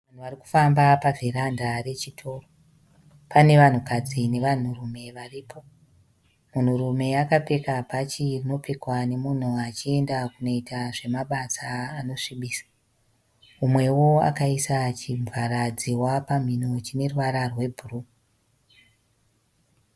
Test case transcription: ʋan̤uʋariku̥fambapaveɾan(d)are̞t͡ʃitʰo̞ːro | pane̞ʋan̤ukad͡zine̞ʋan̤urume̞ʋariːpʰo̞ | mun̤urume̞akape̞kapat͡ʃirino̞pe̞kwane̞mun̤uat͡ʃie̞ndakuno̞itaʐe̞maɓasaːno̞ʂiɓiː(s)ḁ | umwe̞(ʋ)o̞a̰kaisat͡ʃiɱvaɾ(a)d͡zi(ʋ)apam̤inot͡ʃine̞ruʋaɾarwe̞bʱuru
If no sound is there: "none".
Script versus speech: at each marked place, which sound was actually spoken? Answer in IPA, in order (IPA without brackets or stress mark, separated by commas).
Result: d, s, w, a, w